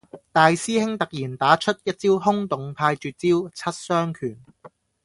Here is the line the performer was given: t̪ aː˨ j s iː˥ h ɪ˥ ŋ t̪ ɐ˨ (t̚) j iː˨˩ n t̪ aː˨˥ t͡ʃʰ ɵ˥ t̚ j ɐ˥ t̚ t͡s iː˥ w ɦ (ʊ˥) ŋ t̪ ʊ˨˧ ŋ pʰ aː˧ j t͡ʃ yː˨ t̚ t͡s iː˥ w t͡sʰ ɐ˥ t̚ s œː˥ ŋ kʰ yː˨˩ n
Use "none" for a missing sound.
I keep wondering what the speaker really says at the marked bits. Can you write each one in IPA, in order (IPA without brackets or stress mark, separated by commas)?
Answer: k̚, ʊ˥